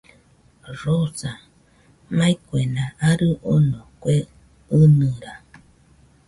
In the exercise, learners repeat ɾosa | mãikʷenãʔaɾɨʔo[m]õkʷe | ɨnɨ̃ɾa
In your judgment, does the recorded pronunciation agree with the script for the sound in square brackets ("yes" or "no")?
no